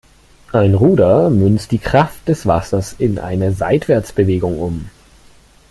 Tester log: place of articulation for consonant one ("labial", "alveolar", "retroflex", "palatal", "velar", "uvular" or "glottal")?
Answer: glottal